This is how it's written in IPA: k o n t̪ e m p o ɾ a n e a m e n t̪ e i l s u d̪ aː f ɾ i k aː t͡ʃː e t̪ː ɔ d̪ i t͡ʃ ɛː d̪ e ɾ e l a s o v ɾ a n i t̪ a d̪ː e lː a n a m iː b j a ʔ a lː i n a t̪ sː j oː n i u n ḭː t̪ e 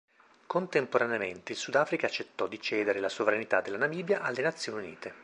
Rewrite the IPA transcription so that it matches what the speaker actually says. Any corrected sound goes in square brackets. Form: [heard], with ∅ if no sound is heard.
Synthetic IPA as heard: k o n t̪ e m p o ɾ a n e a m e n t̪ e i l s u d̪ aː f ɾ i k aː t͡ʃː e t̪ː ɔ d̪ i t͡ʃ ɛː d̪ e ɾ e l a s o v ɾ a n i t̪ a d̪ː e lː a n a m iː b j a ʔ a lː [e] n a t̪ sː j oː n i u n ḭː t̪ e